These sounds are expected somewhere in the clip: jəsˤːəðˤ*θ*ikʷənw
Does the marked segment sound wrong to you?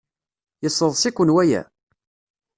yes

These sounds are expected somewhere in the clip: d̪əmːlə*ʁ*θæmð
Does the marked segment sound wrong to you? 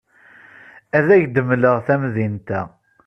no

